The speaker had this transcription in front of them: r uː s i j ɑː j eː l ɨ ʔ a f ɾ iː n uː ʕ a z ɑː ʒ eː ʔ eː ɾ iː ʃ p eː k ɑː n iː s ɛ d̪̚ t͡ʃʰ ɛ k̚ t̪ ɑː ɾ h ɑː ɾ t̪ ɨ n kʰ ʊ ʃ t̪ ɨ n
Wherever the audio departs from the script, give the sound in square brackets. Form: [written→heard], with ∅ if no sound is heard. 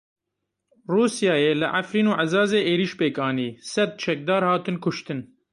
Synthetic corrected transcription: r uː s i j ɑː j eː l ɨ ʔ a f ɾ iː n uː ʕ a z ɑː [ʒ→z] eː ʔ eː ɾ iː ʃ p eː k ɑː n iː s ɛ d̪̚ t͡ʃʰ ɛ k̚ [t̪→d̪] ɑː ɾ h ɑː [ɾ→∅] t̪ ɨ n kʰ ʊ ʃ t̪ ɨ n